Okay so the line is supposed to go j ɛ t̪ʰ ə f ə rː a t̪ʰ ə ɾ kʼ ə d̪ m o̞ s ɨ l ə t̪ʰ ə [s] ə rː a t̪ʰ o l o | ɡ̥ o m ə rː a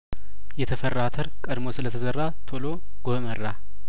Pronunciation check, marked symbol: incorrect: z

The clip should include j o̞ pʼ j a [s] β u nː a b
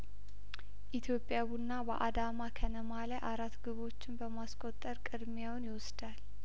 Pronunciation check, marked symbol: incorrect: none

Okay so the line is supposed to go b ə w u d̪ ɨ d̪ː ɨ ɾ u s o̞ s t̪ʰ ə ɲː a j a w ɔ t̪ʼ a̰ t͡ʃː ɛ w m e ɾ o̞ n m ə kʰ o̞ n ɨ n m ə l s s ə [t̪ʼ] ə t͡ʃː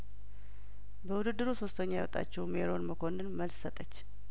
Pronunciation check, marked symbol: correct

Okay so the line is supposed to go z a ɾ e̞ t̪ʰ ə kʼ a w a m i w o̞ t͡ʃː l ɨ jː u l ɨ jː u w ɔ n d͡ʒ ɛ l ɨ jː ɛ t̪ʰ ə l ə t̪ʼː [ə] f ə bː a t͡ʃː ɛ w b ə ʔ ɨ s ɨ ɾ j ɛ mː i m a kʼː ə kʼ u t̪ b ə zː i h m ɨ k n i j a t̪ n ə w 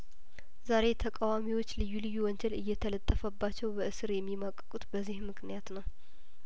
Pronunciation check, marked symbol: correct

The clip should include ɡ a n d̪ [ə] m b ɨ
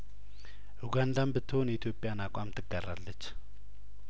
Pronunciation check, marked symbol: incorrect: a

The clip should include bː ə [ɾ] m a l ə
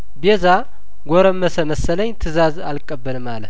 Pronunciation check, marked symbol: incorrect: l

